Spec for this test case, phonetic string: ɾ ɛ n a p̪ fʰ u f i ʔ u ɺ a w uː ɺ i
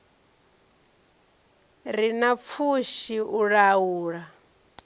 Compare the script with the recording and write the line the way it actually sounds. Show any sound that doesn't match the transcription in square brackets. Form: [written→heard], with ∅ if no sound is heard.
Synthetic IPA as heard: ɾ [ɛ→i] n a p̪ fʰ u [f→ʃ] i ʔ u ɺ a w uː ɺ [i→a]